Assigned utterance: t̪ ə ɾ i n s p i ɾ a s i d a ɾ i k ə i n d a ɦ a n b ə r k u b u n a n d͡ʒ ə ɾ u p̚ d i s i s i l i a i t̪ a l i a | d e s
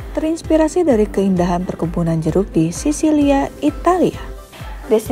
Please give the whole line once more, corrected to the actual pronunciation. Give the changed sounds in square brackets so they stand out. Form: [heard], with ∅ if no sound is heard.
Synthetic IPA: t̪ ə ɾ i n s p i ɾ a s i d a ɾ i k ə i n d a ɦ a n [p] ə r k u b u n a n d͡ʒ ə ɾ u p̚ d i s i s i l i a i t̪ a l i a | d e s